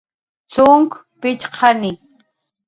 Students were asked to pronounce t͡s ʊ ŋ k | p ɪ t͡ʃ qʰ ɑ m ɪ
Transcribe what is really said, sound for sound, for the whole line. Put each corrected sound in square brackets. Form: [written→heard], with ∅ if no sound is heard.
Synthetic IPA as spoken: t͡s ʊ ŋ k | p ɪ t͡ʃ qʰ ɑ [m→n] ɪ